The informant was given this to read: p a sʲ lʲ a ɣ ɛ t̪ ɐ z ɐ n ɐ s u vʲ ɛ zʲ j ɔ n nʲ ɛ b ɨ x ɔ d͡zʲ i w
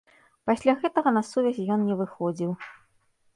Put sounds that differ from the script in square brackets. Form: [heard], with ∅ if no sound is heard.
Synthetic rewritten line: p a sʲ lʲ a ɣ ɛ t̪ ɐ [ɣ] ɐ n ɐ s u vʲ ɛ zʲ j ɔ n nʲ ɛ [v] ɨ x ɔ d͡zʲ i w